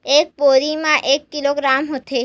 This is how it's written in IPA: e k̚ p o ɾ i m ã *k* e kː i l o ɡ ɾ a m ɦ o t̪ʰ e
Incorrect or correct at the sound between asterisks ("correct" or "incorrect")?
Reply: incorrect